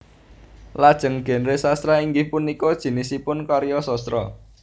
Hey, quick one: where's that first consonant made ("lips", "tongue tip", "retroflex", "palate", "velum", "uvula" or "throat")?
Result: tongue tip